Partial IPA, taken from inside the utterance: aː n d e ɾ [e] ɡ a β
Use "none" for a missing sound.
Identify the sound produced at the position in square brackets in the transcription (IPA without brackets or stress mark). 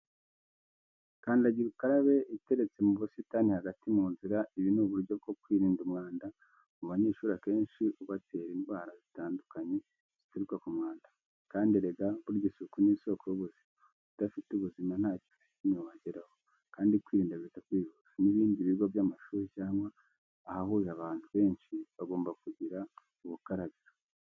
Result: e